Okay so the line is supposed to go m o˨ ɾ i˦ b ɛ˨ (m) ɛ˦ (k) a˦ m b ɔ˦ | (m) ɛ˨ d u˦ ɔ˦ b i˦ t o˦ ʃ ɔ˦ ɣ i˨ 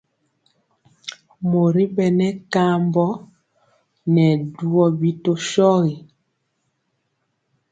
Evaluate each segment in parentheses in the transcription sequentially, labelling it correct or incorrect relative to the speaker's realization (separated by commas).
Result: incorrect, correct, incorrect